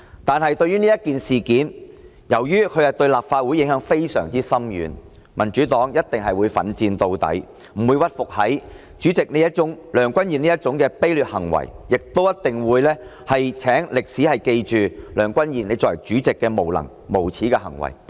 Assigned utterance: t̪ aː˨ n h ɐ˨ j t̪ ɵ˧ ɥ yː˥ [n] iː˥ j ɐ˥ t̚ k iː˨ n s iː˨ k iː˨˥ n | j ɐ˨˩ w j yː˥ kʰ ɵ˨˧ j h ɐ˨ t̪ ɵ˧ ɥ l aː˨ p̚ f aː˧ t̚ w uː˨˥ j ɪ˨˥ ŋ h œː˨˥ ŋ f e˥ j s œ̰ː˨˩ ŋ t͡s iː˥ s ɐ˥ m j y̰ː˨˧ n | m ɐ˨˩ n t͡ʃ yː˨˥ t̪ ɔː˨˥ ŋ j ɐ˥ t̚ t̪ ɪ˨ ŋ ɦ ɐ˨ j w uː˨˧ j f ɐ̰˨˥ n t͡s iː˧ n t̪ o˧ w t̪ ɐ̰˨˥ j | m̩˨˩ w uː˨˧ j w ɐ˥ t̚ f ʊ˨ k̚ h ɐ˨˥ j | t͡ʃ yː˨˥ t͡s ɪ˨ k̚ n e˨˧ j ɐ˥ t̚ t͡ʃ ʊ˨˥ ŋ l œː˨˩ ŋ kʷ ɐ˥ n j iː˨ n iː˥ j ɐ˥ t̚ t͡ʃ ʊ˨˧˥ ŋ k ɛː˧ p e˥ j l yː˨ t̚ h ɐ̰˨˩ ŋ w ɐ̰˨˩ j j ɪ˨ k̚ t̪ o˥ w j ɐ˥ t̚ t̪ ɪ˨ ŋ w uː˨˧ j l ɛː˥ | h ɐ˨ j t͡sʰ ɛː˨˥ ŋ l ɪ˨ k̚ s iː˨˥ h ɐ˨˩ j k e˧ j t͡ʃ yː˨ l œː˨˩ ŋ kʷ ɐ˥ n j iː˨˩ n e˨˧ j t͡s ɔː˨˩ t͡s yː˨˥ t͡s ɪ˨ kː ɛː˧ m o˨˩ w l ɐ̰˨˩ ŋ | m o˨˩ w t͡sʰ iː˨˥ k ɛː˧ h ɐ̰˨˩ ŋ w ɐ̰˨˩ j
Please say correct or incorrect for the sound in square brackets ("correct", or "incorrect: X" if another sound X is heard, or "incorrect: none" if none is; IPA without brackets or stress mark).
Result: correct